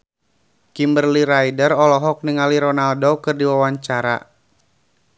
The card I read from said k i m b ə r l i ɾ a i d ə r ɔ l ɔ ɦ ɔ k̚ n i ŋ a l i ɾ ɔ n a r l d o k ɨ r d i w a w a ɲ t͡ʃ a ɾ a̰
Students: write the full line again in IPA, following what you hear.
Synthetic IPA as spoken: k i m b ə r l i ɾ a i d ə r ɔ l ɔ ɦ ɔ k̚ n i ŋ a l i ɾ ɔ n a l d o k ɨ r d i w a w a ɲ t͡ʃ a ɾ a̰